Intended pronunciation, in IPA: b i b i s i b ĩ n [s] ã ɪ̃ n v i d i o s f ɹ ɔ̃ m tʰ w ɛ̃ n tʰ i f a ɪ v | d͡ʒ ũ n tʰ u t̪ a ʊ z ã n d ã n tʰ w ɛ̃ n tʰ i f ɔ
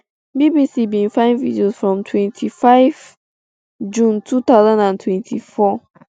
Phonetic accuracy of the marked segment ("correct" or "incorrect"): incorrect